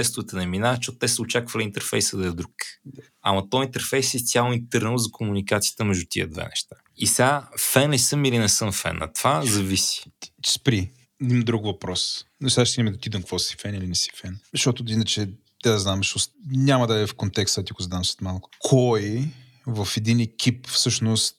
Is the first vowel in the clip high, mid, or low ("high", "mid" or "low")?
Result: mid